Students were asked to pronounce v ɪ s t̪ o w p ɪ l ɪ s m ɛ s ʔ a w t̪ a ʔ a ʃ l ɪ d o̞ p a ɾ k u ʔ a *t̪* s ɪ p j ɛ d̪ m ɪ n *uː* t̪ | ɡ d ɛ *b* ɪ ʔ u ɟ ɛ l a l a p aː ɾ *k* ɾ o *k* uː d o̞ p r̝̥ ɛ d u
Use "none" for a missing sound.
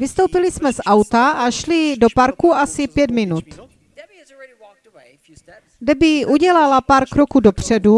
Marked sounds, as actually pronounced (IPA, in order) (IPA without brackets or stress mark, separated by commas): none, u, b, k, k